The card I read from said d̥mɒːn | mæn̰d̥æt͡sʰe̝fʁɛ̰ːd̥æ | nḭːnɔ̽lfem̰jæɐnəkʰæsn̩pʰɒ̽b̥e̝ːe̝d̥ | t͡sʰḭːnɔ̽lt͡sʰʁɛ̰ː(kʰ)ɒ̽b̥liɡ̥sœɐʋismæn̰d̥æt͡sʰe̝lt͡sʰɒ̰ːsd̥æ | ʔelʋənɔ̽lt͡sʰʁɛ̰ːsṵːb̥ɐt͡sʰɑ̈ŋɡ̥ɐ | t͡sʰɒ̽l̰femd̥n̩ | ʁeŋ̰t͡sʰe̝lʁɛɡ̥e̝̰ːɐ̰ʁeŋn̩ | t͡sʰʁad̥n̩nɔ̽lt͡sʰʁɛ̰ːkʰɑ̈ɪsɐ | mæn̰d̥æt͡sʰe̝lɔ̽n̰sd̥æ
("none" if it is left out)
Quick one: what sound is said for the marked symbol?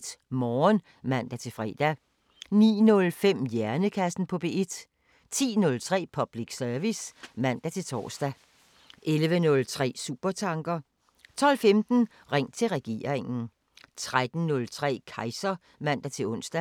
pʰ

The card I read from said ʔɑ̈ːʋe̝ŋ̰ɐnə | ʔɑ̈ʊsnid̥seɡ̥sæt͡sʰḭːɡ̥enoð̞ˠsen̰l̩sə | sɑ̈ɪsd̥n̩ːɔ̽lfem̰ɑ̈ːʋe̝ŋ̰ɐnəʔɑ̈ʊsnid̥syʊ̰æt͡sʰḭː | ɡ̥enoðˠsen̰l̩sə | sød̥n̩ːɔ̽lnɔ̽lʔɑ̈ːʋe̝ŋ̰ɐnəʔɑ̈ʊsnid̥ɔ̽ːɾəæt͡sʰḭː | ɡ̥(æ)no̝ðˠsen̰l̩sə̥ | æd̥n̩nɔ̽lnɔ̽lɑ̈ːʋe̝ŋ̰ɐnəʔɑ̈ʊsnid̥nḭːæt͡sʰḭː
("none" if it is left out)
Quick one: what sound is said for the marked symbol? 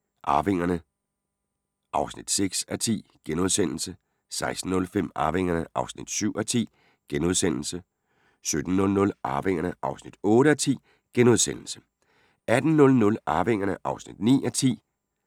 e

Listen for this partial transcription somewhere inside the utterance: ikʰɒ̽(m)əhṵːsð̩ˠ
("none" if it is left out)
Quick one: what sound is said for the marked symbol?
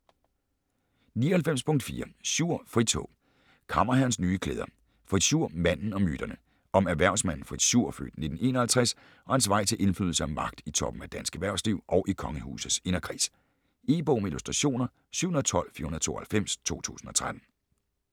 ŋ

